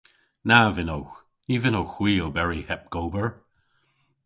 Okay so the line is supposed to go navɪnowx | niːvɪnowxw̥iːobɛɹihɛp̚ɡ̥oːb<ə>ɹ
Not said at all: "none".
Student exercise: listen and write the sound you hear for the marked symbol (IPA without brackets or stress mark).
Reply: ə